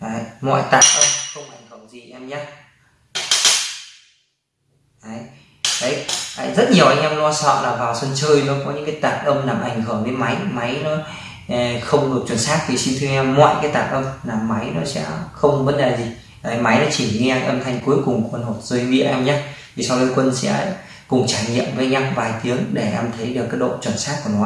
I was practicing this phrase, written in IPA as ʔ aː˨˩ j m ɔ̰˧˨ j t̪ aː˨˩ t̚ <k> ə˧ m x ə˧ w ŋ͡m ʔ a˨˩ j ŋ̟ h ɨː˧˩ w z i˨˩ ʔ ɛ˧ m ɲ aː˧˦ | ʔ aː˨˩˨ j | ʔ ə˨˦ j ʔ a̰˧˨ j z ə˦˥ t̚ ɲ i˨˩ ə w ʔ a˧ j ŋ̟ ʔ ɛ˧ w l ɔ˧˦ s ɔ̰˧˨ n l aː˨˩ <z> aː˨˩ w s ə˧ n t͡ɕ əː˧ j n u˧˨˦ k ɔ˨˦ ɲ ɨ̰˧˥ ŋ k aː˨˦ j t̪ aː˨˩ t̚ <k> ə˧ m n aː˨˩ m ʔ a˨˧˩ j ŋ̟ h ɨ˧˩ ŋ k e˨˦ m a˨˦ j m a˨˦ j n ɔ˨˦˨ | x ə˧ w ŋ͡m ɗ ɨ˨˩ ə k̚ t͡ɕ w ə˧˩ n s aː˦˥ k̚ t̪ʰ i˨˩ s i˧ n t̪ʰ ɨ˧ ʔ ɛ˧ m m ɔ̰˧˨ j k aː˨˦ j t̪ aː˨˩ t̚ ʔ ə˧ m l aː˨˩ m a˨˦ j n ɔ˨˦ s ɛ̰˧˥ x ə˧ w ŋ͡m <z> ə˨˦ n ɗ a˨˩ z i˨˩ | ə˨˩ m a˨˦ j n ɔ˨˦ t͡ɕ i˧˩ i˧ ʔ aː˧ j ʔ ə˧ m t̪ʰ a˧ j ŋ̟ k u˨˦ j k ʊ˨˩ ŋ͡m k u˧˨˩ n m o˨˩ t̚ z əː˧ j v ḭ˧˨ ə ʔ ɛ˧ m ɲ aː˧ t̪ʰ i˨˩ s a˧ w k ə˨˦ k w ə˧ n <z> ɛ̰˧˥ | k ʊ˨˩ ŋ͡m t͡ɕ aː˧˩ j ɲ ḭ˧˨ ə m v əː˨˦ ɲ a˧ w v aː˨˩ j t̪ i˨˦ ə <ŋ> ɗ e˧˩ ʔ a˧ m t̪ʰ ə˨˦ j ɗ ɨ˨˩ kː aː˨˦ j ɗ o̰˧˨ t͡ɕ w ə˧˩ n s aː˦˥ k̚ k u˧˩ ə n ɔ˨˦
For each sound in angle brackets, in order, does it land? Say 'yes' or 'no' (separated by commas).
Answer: no, no, no, no, no, yes